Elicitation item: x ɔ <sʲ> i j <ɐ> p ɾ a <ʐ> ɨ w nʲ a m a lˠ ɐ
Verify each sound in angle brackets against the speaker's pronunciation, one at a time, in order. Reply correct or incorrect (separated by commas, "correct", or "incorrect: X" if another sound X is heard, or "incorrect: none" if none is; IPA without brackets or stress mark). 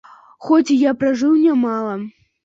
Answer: incorrect: t͡sʲ, incorrect: a, correct